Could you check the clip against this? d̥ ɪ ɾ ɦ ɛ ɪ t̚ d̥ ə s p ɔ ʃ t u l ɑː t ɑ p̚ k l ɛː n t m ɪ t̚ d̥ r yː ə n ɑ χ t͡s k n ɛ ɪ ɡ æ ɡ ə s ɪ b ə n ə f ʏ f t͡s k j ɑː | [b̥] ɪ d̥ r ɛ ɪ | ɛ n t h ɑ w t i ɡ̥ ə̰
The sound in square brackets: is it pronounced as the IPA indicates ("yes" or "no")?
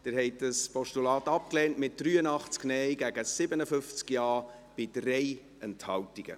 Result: yes